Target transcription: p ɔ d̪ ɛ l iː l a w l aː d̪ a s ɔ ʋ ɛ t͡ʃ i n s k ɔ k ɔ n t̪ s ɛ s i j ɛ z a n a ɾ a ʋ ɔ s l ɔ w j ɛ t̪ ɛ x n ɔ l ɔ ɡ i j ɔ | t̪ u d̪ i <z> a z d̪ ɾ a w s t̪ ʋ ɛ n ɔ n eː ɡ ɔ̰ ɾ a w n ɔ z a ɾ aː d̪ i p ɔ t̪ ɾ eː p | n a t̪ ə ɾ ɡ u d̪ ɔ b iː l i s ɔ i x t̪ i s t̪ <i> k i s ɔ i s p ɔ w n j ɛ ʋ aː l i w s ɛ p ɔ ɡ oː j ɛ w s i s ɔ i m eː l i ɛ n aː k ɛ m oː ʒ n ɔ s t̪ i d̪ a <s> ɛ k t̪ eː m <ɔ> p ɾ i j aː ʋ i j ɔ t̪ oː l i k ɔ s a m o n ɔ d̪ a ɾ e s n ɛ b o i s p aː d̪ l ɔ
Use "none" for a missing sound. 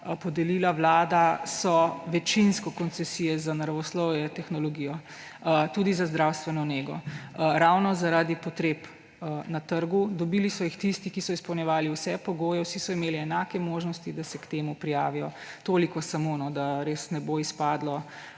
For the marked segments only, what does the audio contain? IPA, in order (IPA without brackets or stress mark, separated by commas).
z, i, s, u